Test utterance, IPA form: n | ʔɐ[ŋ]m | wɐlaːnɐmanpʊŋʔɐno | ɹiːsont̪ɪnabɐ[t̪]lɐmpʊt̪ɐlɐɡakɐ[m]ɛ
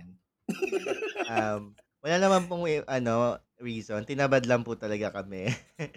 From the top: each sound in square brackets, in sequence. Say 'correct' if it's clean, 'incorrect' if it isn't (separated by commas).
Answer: incorrect, incorrect, correct